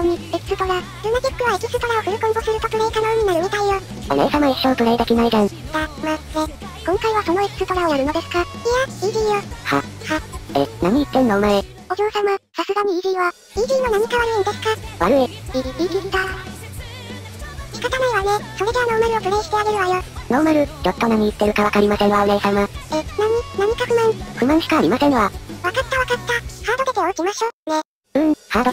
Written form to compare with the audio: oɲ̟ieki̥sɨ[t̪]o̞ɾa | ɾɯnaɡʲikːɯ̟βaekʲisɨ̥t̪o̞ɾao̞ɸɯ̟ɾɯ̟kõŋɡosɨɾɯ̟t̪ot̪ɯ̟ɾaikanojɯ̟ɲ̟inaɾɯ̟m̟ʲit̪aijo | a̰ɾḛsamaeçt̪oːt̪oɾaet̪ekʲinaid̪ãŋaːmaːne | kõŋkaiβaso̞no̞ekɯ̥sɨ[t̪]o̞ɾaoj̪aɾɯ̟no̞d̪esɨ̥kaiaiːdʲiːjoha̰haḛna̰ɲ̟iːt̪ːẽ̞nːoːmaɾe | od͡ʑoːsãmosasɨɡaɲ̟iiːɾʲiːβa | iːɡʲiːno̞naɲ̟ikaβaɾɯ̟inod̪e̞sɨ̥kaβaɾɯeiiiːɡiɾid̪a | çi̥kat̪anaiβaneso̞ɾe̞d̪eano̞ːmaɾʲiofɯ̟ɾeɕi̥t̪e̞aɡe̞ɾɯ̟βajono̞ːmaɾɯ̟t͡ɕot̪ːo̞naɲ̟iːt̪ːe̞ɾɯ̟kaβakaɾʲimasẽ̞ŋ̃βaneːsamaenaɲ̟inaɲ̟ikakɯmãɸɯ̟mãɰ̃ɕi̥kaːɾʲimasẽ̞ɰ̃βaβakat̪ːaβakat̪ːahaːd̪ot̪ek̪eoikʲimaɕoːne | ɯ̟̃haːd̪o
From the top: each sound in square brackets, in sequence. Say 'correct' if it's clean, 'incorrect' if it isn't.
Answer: correct, correct

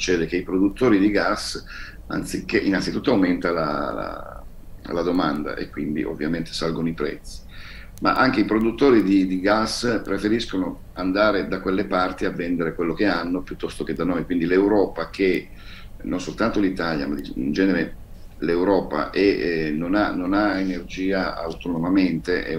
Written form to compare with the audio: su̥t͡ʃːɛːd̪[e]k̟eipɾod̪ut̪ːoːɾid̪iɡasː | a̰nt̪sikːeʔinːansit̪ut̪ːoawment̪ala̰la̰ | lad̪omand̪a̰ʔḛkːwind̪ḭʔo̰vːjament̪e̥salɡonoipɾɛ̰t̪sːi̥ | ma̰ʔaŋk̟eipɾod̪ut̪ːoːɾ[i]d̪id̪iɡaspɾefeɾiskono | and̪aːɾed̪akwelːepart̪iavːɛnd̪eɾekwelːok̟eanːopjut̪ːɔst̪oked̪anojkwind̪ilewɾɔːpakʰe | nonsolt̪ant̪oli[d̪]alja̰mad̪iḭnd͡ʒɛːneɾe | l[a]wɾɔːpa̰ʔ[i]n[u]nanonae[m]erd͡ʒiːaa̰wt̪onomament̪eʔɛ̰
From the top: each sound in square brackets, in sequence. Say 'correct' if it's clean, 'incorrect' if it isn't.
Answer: correct, correct, incorrect, incorrect, incorrect, incorrect, incorrect

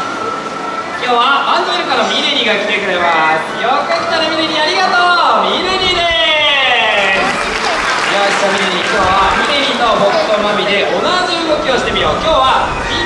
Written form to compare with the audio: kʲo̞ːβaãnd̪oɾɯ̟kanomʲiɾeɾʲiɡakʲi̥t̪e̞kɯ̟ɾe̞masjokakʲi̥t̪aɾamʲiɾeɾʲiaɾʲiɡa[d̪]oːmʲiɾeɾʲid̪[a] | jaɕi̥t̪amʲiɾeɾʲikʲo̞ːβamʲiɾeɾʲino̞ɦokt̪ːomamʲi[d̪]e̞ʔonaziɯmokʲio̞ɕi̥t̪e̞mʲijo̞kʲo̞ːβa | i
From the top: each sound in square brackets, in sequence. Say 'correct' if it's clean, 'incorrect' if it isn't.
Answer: incorrect, incorrect, correct

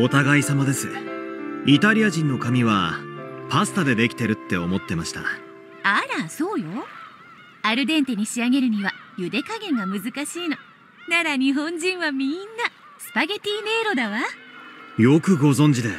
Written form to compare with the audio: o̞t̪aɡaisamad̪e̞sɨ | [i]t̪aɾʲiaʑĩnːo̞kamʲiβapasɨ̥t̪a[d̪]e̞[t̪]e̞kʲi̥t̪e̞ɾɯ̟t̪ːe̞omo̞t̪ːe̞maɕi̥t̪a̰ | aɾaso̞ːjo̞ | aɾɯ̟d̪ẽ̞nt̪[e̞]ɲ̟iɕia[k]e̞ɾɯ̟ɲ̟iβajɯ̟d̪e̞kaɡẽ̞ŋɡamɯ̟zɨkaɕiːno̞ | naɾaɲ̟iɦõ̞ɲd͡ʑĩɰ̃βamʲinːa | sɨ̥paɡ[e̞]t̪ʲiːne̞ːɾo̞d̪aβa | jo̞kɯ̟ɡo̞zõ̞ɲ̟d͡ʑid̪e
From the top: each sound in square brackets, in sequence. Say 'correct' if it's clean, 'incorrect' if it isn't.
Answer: correct, correct, incorrect, correct, incorrect, correct

